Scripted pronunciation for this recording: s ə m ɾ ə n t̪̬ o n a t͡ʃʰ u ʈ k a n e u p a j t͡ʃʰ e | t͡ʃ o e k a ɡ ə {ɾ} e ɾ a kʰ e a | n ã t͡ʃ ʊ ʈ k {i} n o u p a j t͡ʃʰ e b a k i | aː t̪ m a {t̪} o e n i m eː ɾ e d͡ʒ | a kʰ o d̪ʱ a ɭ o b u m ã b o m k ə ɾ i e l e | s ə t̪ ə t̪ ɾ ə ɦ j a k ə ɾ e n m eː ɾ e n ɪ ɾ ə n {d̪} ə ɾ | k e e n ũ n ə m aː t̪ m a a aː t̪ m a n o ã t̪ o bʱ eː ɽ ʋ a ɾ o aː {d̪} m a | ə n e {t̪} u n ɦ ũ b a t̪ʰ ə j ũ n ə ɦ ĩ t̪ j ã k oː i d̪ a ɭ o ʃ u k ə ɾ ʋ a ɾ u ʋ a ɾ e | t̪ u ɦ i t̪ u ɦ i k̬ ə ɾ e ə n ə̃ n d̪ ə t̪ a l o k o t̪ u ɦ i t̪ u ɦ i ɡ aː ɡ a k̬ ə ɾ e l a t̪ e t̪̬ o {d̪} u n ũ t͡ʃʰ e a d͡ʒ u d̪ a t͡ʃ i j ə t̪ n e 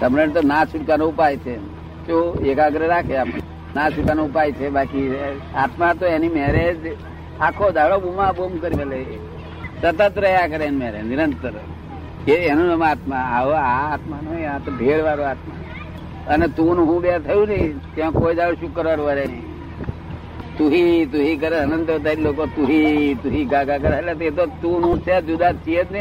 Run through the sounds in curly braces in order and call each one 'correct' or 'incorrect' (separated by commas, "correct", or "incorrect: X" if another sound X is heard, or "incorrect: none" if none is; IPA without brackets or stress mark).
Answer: correct, incorrect: a, correct, incorrect: t̪, incorrect: t̪, correct, incorrect: t̪